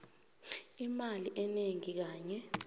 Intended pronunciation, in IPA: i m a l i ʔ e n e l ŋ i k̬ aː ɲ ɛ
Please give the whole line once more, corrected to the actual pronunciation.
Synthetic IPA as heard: i m a l i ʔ ɛ n e ŋ i k̬ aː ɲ ɛ